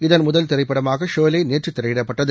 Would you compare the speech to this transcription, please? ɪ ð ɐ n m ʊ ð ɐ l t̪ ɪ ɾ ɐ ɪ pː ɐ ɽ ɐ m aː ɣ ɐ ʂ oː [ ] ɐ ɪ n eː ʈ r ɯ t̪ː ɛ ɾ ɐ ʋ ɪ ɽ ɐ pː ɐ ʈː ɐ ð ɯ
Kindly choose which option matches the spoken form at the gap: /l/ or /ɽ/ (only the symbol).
l